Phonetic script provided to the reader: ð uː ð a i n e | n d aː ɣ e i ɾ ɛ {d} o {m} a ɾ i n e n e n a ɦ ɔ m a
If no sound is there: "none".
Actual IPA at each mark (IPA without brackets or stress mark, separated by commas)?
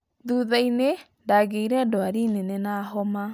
d, none